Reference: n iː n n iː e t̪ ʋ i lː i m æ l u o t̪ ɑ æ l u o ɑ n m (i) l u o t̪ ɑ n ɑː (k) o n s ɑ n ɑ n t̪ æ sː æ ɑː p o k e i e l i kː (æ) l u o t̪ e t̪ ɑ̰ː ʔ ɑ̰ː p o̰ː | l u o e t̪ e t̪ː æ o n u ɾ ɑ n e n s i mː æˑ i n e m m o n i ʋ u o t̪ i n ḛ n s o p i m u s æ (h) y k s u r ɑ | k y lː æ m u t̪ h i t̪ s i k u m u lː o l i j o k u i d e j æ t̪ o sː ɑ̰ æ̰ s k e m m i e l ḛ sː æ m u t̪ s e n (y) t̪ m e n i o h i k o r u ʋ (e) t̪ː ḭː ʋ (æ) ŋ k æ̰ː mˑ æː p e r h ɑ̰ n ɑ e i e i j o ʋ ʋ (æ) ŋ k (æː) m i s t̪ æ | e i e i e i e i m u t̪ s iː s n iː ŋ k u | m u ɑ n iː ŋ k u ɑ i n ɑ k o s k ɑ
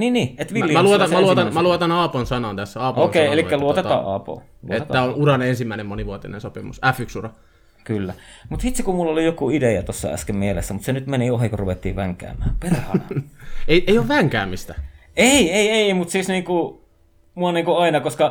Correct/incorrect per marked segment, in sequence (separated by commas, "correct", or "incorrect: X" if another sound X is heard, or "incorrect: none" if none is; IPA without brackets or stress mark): incorrect: æ, incorrect: p, correct, incorrect: f, correct, correct, correct, correct, correct